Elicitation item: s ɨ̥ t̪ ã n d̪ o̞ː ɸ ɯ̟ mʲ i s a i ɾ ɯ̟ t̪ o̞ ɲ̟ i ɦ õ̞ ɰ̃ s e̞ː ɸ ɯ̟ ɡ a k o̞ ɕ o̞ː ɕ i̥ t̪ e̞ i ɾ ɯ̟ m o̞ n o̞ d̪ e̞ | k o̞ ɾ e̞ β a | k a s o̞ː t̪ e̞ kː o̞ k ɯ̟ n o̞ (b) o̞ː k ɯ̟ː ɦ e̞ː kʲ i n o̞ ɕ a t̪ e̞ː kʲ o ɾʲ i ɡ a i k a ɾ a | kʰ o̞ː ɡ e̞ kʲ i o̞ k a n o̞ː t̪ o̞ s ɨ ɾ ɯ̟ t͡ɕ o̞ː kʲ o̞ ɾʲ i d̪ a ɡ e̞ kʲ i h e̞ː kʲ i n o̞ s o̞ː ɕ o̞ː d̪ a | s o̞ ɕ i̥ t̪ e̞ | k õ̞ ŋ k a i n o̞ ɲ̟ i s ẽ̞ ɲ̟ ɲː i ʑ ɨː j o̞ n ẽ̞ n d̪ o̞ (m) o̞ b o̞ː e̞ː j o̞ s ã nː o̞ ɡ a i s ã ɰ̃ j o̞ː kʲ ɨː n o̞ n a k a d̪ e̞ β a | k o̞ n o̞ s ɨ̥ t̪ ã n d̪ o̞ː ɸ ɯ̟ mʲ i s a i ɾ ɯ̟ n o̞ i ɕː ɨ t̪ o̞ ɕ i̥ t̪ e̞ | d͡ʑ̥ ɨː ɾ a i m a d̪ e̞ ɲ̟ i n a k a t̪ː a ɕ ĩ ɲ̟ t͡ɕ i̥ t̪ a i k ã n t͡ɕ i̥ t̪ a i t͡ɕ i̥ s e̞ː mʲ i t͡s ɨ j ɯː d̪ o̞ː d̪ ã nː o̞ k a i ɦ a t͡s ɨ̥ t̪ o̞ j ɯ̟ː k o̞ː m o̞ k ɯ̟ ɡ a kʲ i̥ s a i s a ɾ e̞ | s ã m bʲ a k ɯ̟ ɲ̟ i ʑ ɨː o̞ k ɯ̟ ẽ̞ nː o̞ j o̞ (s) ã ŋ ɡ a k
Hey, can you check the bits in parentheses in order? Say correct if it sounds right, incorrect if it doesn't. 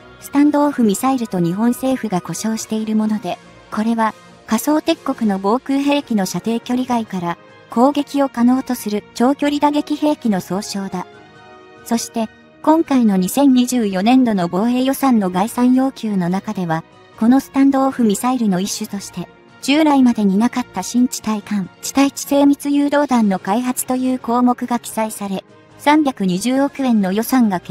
correct, incorrect: n, correct

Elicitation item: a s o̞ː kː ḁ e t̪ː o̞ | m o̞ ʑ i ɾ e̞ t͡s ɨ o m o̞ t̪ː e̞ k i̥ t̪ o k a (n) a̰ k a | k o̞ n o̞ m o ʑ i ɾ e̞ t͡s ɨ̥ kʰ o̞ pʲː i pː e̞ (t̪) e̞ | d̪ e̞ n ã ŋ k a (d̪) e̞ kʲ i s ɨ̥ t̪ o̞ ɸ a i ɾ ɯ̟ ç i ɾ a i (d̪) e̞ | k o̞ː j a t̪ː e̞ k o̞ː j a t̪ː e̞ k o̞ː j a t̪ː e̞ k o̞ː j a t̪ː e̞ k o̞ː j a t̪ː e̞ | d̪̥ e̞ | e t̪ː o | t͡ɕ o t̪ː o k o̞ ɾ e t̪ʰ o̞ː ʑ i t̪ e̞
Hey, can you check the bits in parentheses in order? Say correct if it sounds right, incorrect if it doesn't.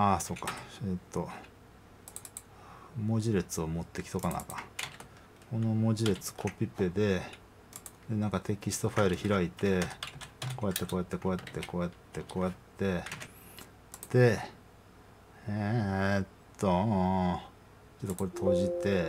correct, incorrect: d̪, incorrect: t̪, incorrect: t̪

